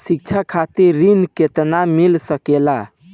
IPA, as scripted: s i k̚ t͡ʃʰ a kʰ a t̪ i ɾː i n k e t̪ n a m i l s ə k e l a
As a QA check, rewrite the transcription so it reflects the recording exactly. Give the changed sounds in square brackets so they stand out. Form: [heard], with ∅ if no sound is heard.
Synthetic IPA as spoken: s i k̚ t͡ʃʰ a kʰ a t̪ i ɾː i n k e t̪ n a m i l s ə k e l a

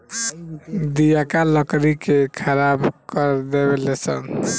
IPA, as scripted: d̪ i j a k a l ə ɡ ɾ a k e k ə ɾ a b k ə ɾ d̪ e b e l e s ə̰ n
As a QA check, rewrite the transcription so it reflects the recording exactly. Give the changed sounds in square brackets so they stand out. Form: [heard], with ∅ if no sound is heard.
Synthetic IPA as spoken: d̪ i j a k a l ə [k] ɾ [i] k e [kʰ] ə ɾ a b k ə ɾ d̪ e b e l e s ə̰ n

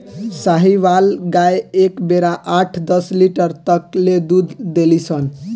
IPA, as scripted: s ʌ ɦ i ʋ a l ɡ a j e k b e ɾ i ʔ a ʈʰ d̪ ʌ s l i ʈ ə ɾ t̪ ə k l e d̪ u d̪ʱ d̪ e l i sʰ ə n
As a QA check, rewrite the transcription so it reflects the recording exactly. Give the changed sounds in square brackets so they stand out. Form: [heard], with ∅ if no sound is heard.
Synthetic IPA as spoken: s [a] ɦ i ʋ a l ɡ a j e k b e ɾ [a] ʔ a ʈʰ d̪ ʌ s l i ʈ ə ɾ t̪ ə k l e d̪ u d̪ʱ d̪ e l i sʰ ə n

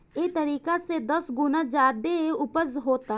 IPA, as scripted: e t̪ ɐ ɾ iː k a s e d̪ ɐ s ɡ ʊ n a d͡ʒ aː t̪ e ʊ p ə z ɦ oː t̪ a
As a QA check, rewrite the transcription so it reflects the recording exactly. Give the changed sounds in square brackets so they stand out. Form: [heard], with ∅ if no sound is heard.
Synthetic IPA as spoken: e t̪ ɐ ɾ iː k a s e d̪ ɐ s ɡ ʊ n a d͡ʒ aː [d̪] e ʊ p ə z ɦ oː t̪ a

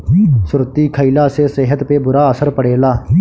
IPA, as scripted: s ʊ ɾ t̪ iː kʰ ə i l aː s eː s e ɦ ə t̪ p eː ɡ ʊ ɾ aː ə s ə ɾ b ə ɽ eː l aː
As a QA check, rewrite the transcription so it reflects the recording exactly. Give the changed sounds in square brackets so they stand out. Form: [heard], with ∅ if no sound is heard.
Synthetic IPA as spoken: s ʊ ɾ t̪ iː kʰ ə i l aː s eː s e ɦ ə t̪ p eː [b] ʊ ɾ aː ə s ə ɾ [p] ə ɽ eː l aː

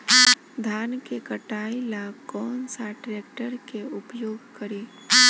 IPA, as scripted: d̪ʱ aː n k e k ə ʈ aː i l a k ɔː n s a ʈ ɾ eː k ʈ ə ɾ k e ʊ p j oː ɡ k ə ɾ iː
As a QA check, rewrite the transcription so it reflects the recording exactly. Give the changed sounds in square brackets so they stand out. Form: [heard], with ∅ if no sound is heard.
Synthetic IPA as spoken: d̪ʱ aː n k e k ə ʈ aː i l a k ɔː n s a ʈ ɾ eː k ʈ ə ɾ k e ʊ p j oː ɡ k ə ɾ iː

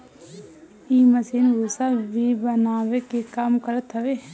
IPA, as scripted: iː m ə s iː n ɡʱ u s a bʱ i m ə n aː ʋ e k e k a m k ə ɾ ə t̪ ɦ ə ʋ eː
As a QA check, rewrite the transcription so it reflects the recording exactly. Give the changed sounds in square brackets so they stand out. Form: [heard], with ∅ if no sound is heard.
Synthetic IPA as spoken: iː m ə s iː n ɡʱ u s a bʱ i [b] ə n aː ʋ e k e k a m k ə ɾ ə t̪ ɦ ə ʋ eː

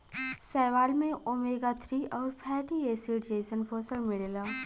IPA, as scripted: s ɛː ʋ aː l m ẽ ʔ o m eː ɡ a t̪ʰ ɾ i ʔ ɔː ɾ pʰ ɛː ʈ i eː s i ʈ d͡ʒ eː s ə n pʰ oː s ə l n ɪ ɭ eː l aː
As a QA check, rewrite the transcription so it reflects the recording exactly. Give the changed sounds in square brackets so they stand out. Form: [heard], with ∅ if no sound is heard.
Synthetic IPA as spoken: s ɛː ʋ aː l m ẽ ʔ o m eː ɡ a t̪ʰ ɾ i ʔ ɔː ɾ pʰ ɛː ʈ i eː s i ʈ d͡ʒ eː s ə n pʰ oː s ə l [m] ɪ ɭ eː l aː

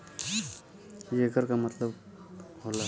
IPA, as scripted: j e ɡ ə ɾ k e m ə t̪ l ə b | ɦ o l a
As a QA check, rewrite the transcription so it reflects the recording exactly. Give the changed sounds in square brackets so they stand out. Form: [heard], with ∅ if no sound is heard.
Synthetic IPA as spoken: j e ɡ ə ɾ k [a] m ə t̪ l ə b | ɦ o l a

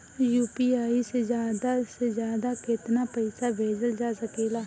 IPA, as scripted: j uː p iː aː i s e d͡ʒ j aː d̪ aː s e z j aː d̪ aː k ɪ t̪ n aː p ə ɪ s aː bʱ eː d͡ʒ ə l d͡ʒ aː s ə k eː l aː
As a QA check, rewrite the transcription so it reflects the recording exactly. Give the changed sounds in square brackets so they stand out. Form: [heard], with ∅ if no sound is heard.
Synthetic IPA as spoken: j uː p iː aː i s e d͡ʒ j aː d̪ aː s e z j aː d̪ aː k ɪ t̪ n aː p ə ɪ s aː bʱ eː d͡ʒ ə l d͡ʒ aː s ə k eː l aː

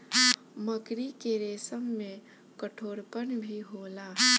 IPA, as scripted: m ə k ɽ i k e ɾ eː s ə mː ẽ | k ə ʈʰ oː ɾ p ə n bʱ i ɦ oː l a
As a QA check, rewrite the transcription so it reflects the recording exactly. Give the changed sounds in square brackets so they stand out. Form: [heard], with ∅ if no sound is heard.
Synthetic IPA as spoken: m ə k [ɾ] i k e ɾ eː s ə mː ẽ | k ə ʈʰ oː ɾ p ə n bʱ i ɦ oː l a

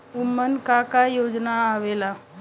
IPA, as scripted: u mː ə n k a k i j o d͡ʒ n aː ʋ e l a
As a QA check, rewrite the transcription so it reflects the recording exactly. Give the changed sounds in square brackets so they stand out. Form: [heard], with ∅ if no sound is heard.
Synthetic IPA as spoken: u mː ə n k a k [a] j o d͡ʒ n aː ʋ e l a

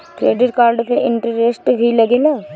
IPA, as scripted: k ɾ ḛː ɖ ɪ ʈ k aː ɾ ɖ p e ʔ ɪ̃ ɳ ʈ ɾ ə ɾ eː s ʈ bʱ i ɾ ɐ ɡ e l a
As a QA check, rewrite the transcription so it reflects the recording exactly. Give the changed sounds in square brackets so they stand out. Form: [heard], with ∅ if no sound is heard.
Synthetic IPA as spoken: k ɾ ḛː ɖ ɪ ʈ k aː ɾ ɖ p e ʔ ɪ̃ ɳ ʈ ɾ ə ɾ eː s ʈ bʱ i [l] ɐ ɡ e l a

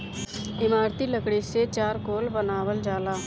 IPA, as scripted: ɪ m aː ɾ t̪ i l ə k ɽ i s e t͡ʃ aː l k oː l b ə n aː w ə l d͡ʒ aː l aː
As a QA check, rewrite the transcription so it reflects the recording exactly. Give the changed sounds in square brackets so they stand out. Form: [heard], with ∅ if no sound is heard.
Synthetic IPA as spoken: ɪ m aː ɾ t̪ i l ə k ɽ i s e t͡ʃ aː [ɾ] k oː l b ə n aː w ə l d͡ʒ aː l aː

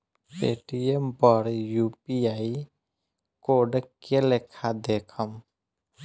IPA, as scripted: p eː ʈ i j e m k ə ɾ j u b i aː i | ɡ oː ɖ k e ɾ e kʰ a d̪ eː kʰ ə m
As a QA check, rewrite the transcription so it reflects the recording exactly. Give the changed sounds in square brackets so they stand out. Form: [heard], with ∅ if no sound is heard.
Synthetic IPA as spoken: p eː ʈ i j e m [p] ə ɾ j u [p] i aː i | [k] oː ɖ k e [l] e kʰ a d̪ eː kʰ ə m

